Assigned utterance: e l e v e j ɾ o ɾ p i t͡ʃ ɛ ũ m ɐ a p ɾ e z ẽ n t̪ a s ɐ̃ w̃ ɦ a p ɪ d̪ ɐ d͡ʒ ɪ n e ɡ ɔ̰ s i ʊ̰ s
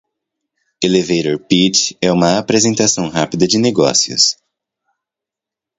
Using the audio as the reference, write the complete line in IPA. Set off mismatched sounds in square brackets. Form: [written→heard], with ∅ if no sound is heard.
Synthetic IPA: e l e v e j ɾ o ɾ p i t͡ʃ ɛ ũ m ɐ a p ɾ e z ẽ n t̪ a s ɐ̃ w̃ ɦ a p [ɪ→i] d̪ ɐ d͡ʒ ɪ n e ɡ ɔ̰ s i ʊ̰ s